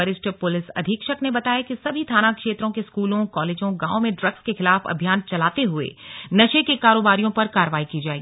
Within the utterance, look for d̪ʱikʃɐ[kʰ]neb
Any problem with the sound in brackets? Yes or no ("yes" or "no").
yes